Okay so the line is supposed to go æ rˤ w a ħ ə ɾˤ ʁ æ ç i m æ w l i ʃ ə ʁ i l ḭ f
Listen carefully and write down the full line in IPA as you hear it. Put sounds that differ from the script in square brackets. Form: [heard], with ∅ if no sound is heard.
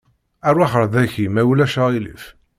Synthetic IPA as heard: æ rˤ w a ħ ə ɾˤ [ð] æ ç i m æ w l [æ] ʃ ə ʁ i l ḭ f